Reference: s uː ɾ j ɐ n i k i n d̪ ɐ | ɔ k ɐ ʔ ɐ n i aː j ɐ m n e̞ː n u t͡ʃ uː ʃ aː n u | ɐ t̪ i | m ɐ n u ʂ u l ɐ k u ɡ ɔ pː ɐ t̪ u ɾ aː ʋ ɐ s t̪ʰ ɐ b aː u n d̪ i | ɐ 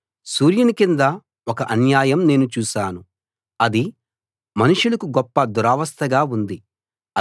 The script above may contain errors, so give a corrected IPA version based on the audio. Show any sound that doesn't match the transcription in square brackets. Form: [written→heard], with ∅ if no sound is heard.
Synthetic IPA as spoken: s uː ɾ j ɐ n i k i n d̪ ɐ | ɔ k ɐ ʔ ɐ n [i→j] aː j ɐ m n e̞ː n u t͡ʃ uː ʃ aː n u | ɐ [t̪→d̪] i | m ɐ n u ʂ u l ɐ k u ɡ ɔ pː ɐ [t̪→d̪] u ɾ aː ʋ ɐ s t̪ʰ ɐ [b→ɡ] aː u n d̪ i | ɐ